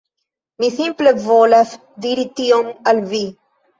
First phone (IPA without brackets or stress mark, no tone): m